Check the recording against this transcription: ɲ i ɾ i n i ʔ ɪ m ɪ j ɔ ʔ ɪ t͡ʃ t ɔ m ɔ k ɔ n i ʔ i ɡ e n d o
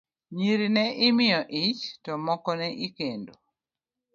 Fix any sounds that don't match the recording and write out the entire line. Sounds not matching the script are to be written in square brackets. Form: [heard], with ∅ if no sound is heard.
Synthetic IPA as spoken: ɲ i ɾ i n [ɛ] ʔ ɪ m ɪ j ɔ ʔ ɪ t͡ʃ t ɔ m ɔ k ɔ n [ɛ] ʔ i [k] e n d o